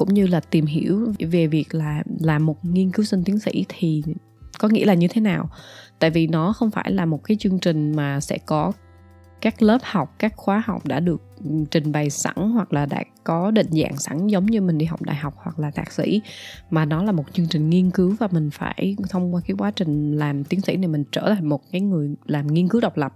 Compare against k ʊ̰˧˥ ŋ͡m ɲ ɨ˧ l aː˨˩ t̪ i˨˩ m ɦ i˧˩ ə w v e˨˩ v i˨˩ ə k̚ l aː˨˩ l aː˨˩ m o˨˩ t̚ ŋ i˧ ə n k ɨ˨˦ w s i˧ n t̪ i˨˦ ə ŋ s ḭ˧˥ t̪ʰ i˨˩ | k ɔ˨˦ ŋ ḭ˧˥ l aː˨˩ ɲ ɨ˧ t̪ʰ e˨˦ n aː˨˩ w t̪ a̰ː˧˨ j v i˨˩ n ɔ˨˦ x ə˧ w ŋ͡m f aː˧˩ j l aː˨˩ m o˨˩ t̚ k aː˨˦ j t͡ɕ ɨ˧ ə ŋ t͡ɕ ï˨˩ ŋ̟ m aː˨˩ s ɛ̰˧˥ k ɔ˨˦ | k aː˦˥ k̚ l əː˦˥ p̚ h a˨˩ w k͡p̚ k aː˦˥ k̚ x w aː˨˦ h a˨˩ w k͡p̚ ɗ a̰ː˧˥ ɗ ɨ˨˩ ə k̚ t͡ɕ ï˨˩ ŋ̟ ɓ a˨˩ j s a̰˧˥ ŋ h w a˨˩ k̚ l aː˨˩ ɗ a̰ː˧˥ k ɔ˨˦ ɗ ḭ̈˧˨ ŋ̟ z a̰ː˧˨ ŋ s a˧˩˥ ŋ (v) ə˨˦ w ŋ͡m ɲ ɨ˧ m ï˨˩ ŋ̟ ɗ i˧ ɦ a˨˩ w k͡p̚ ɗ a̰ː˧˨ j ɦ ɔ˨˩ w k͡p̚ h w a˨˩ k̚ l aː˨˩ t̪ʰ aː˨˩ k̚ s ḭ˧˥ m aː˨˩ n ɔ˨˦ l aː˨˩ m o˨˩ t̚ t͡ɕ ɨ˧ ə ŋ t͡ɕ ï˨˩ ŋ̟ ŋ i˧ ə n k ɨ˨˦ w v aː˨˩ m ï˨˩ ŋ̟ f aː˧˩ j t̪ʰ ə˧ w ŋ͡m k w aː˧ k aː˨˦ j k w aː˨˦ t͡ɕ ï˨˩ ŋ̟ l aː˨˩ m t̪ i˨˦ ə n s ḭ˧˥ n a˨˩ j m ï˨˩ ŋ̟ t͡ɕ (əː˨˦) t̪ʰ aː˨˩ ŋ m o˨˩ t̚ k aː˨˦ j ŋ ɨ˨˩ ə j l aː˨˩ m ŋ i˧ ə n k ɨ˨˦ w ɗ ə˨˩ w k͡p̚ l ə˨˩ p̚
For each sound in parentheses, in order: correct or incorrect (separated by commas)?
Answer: incorrect, incorrect